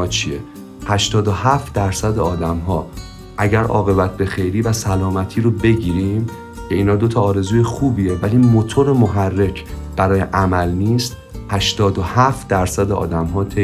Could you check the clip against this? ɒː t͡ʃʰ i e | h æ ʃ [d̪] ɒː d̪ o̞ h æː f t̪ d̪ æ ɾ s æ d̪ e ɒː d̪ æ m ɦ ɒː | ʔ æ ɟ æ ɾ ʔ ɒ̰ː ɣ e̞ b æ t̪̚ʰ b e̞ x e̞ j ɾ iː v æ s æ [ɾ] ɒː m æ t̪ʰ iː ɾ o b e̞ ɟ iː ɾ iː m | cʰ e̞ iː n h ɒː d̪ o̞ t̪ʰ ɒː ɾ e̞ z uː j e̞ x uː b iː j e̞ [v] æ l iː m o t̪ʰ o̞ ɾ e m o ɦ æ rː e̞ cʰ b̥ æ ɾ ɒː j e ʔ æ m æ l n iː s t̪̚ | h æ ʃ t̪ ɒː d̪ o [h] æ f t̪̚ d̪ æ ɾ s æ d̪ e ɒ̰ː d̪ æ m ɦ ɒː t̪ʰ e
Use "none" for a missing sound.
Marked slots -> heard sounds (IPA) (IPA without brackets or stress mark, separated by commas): t̪, l, v, h